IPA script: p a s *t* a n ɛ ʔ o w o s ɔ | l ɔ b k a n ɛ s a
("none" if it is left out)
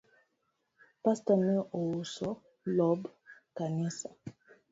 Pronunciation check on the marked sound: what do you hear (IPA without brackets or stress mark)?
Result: t